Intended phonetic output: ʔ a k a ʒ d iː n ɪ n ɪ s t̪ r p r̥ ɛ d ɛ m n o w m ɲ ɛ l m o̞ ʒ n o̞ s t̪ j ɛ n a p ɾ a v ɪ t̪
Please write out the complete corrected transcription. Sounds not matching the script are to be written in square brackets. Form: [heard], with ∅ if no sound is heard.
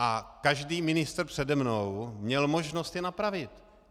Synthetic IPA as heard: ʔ a k a ʒ d iː [m] ɪ n ɪ s t̪ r p r̥ ɛ d ɛ m n o w m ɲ ɛ l m o̞ ʒ n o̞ s t̪ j ɛ n a p ɾ a v ɪ t̪